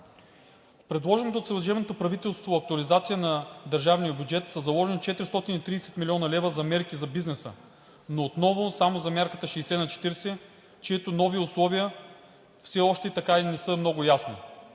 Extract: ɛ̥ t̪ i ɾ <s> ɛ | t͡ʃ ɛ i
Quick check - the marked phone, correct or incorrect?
correct